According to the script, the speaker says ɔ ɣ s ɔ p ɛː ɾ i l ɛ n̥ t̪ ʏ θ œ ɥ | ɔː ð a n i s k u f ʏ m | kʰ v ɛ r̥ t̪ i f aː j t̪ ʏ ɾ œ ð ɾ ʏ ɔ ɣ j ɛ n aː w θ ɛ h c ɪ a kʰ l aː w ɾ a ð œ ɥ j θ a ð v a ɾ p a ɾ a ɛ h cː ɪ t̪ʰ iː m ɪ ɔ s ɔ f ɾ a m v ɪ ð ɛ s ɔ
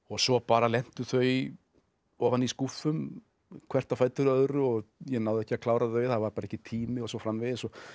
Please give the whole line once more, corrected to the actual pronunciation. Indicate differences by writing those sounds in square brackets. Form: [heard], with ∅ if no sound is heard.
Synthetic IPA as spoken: ɔ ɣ s ɔ p [aː] ɾ [a] l ɛ n̥ t̪ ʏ θ œ ɥ | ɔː [v] a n i s k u f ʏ m | kʰ v ɛ r̥ t̪ [a] f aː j t̪ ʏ ɾ œ ð ɾ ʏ ɔ ɣ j ɛ n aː w [ð] ɛ h c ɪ a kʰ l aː w ɾ a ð œ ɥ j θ a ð v a ɾ p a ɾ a ɛ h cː ɪ t̪ʰ iː m ɪ ɔ s ɔ f ɾ a m v ɪ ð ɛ s ɔ